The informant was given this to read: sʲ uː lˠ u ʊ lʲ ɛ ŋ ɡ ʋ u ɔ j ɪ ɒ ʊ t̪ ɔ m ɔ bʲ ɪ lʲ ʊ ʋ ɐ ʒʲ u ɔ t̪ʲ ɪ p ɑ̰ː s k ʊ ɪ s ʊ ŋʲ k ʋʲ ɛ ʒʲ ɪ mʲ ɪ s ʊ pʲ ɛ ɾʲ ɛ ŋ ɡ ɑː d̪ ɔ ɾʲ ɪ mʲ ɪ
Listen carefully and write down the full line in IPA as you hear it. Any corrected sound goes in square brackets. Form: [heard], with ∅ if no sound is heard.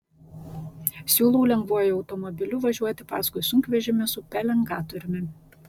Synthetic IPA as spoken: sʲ uː lˠ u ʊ lʲ ɛ ŋ ɡ ʋ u ɔ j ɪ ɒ ʊ t̪ ɔ m ɔ bʲ ɪ lʲ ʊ ʋ ɐ ʒʲ u ɔ t̪ʲ ɪ p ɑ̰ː s k ʊ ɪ s ʊ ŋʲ k ʋʲ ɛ ʒʲ ɪ mʲ ɪ s ʊ pʲ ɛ [lʲ] ɛ ŋ ɡ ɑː [t̪] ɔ ɾʲ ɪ mʲ ɪ